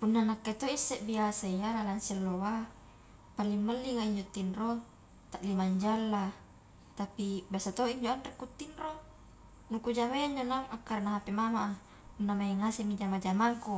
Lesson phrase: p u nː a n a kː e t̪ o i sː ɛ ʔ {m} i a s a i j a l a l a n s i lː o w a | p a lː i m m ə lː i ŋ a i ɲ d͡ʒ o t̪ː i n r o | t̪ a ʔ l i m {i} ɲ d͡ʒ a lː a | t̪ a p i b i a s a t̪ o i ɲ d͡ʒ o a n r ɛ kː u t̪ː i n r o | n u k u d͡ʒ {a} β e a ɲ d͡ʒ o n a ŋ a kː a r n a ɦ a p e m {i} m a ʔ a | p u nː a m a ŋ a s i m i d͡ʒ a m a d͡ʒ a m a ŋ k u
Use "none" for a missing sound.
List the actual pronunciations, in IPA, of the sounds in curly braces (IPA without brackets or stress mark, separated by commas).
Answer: b, a, a, a